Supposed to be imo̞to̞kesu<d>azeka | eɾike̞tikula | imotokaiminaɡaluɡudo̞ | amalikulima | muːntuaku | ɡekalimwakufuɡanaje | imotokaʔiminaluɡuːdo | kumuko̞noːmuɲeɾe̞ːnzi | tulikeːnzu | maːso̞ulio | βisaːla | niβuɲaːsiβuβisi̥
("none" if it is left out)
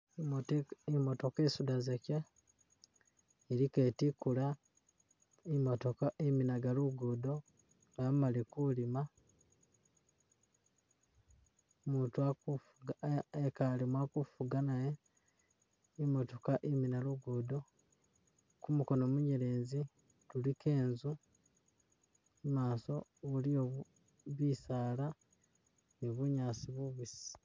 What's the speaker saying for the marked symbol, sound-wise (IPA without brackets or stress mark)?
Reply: d